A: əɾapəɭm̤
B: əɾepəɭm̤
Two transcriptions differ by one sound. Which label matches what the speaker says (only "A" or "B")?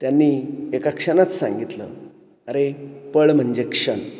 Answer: B